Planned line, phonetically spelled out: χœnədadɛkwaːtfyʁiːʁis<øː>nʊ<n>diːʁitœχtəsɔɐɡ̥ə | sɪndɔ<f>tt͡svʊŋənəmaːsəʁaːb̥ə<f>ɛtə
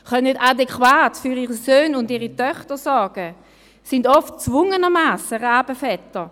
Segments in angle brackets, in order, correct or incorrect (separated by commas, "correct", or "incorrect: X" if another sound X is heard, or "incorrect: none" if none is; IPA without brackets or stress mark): correct, correct, correct, correct